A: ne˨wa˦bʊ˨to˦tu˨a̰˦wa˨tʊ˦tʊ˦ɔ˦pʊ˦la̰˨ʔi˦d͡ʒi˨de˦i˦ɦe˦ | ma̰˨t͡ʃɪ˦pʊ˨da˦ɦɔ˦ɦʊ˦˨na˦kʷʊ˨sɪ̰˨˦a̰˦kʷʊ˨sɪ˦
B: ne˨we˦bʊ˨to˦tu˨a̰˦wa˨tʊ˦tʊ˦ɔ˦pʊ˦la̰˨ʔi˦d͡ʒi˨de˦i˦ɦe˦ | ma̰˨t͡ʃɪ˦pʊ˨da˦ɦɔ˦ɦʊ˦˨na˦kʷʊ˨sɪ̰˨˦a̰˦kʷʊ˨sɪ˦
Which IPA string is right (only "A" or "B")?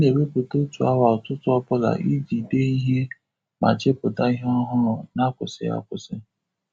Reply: B